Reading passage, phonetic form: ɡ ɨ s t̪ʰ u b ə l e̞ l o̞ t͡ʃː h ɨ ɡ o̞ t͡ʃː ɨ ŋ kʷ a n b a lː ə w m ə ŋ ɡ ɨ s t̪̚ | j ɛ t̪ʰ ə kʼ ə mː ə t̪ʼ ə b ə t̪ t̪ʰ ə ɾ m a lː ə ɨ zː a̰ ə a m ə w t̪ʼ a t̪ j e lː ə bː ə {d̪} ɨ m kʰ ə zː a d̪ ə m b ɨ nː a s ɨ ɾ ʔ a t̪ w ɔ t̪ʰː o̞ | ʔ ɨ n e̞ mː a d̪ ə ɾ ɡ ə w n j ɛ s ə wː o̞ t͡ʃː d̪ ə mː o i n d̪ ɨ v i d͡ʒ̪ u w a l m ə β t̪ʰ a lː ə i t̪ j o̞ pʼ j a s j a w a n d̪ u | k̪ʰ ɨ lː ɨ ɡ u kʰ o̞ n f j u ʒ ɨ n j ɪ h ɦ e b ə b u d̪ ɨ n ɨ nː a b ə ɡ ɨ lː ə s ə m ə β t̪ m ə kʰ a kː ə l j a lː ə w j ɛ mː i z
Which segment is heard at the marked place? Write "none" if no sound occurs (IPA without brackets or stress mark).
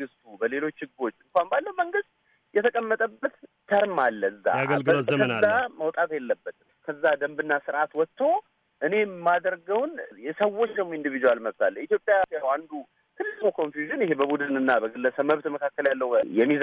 t̪